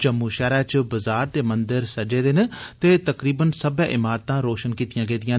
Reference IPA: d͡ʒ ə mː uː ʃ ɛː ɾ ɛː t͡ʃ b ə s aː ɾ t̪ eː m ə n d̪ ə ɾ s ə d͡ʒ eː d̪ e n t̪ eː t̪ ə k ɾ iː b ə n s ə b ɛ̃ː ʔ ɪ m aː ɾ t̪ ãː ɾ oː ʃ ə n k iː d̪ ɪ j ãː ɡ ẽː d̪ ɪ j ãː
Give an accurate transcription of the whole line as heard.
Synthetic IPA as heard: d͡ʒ ə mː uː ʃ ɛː ɾ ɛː t͡ʃ b ə z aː ɾ t̪ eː m ə n d̪ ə ɾ s ə d͡ʒ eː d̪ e n t̪ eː t̪ ə k ɾ iː b ə n s ə b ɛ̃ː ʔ ɪ m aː ɾ t̪ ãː ɾ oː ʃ ə n k iː t̪ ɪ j ãː ɡ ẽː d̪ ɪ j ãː